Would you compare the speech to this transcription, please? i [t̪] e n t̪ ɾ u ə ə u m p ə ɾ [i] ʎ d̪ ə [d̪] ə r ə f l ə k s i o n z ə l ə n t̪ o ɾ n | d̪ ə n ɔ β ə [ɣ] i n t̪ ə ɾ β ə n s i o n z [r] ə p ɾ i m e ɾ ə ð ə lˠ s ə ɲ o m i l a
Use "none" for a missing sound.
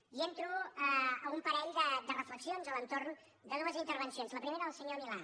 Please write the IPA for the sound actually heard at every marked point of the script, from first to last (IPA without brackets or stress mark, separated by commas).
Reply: none, ɛ, d̪, z, l